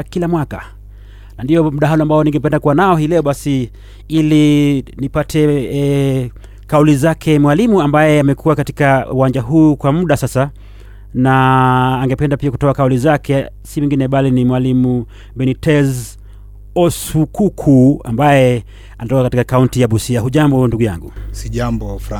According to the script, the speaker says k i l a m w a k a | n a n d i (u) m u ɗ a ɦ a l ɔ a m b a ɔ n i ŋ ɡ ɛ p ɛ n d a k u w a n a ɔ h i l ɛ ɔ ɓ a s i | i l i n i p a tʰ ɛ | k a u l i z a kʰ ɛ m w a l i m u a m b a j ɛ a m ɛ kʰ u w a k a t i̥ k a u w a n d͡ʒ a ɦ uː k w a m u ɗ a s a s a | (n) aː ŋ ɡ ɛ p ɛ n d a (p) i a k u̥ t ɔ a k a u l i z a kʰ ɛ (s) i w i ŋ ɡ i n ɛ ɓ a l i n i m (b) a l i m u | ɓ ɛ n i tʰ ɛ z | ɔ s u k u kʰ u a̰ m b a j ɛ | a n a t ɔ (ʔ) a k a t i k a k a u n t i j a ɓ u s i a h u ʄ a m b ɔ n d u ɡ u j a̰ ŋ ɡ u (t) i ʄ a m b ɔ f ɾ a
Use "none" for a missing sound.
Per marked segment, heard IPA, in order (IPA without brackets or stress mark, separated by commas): ɔ, n, p, s, w, k, s